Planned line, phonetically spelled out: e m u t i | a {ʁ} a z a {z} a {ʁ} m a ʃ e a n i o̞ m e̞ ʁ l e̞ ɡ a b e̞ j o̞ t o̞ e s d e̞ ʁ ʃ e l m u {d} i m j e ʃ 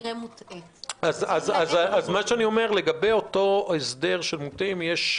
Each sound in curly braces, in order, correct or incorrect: incorrect: z, correct, incorrect: z, incorrect: t

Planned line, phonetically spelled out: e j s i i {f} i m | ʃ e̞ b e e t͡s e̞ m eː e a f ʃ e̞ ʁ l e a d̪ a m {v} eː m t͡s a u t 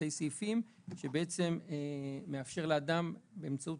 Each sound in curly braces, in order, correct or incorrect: correct, incorrect: b

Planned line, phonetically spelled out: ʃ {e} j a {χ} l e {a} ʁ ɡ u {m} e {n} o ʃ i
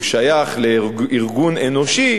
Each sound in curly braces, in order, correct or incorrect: incorrect: a, correct, incorrect: i, incorrect: n, correct

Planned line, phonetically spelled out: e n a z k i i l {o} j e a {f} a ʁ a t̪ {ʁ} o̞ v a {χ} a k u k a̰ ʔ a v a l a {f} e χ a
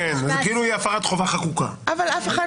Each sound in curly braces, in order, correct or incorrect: incorrect: u, correct, incorrect: χ, correct, correct

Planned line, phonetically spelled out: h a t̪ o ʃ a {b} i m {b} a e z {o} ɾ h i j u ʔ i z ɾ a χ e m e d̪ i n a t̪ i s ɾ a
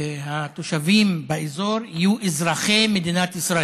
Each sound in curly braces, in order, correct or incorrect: incorrect: v, correct, correct

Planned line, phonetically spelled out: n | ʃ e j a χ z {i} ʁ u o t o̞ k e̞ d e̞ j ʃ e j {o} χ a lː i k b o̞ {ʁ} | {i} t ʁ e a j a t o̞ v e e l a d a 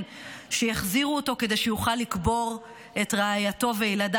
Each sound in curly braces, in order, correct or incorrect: correct, incorrect: u, correct, incorrect: e

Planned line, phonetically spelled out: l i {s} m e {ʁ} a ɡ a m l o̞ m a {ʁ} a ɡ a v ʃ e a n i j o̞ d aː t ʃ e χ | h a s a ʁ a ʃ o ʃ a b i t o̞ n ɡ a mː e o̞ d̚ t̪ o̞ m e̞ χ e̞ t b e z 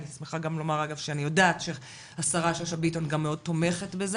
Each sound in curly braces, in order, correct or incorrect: correct, incorrect: χ, correct

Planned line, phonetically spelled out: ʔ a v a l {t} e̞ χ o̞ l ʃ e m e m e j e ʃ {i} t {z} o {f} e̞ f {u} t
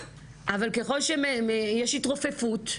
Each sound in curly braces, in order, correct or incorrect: incorrect: k, correct, incorrect: ʁ, correct, correct

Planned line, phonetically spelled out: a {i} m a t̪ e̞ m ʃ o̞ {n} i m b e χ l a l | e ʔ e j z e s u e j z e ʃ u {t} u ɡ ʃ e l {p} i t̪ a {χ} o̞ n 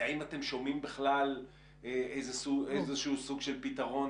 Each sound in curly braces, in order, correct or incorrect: correct, incorrect: m, incorrect: s, correct, incorrect: ʁ

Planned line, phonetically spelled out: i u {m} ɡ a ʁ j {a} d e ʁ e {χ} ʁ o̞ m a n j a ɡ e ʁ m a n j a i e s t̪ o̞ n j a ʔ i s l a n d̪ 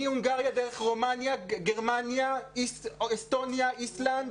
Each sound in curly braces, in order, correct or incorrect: incorrect: ŋ, correct, correct

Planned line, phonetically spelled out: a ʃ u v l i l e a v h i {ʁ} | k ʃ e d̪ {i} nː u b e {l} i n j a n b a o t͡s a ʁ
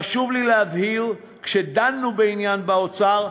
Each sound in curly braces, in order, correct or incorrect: correct, incorrect: a, incorrect: none

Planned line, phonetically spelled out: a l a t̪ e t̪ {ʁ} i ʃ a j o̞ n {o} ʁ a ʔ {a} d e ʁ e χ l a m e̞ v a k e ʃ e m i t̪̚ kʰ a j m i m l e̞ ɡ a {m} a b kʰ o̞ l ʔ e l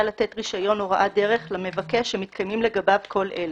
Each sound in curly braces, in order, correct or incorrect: correct, correct, correct, incorrect: b

